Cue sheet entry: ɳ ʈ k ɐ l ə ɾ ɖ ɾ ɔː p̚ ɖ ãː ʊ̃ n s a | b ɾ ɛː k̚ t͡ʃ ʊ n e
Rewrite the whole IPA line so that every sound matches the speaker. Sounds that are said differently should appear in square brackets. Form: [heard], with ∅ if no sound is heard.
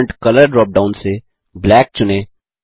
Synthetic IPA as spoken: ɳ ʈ k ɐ l ə ɾ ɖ ɾ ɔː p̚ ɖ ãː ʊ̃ n s [e] | b [l] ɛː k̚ t͡ʃ ʊ n e